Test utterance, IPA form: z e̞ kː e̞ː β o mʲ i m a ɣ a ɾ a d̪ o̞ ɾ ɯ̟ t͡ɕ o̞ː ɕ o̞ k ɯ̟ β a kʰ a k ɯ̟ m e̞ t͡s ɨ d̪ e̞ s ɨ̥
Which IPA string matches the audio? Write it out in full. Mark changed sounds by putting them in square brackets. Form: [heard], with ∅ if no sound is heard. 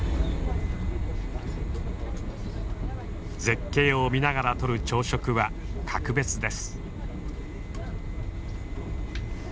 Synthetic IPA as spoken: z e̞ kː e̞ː [∅] o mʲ i [n] a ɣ a ɾ a [t̪] o̞ ɾ ɯ̟ t͡ɕ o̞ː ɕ o̞ k ɯ̟ β a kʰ a k ɯ̟ [b] e̞ t͡s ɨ d̪ e̞ s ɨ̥